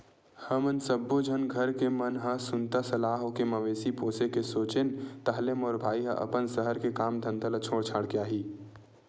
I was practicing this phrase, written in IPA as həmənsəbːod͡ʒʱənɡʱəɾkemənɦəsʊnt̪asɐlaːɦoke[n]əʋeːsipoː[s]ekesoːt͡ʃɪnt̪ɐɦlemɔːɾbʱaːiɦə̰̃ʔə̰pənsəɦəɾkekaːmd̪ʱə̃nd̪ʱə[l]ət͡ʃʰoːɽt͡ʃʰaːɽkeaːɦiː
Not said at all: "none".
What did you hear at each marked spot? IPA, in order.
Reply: m, s, l

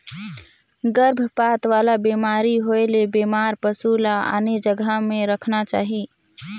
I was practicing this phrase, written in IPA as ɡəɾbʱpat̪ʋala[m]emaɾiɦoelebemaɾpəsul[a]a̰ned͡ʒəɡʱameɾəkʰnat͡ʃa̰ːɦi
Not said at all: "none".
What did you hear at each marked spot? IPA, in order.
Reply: b, a

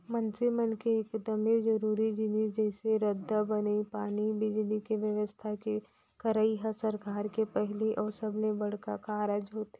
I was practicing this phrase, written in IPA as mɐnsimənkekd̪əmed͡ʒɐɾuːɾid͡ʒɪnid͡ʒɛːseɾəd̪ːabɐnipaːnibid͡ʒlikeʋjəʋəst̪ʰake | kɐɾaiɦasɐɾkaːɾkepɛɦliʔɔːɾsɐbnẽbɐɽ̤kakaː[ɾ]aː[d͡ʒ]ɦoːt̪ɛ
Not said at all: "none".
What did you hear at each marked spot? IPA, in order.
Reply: ɾ, d͡ʒ

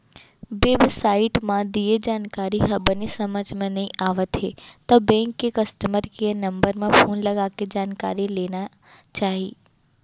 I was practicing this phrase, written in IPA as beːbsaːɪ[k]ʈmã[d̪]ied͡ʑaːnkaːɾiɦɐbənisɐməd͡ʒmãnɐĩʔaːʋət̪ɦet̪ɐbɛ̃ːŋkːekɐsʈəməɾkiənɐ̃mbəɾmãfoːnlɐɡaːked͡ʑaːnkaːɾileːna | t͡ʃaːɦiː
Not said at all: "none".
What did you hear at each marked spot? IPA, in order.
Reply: none, d̪

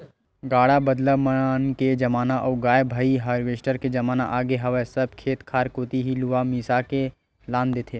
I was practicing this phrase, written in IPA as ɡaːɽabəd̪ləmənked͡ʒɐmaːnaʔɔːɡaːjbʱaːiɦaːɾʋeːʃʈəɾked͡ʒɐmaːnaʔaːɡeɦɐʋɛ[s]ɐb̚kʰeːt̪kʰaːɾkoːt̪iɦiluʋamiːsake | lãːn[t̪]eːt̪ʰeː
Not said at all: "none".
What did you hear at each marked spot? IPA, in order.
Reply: s, d̪

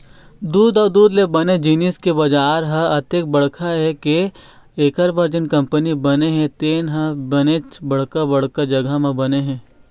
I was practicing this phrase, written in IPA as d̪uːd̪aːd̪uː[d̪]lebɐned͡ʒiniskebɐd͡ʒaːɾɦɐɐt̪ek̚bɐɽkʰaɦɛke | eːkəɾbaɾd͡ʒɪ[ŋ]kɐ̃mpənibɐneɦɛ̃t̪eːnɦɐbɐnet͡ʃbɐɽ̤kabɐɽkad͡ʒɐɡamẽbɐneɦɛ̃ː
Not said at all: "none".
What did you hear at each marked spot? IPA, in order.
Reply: d̪, n

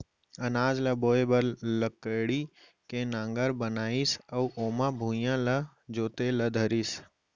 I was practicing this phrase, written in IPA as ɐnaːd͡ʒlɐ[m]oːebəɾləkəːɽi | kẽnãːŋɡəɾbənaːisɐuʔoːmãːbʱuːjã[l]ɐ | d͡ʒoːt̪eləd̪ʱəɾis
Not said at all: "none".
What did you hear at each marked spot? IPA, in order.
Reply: b, l

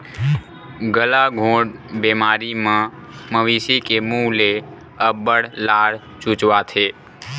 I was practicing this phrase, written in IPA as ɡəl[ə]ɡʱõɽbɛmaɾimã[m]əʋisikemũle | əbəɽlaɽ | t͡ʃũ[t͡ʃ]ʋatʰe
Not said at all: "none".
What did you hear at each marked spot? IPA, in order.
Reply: a, m, t͡ʃ

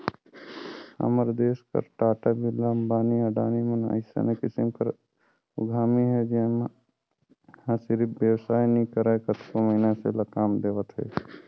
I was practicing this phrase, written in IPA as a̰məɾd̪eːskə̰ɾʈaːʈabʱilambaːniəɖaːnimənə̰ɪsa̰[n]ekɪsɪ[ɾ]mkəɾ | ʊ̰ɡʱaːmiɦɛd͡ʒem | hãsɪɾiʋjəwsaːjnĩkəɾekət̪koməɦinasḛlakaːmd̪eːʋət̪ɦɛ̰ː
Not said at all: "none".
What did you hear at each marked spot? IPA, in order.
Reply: n, none

